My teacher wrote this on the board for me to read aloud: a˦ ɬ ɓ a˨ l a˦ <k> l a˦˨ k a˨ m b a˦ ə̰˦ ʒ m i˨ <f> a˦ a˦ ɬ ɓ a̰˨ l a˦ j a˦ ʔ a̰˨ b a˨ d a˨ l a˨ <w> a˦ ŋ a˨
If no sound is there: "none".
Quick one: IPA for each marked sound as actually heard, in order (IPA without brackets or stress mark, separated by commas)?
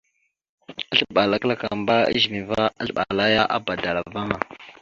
k, v, v